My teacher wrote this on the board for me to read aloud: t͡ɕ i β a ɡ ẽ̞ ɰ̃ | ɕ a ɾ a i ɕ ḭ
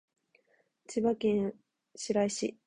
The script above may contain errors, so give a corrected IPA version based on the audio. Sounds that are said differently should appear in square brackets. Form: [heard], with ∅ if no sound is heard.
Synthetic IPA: t͡ɕ i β a [k] ẽ̞ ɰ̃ | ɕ [i] ɾ a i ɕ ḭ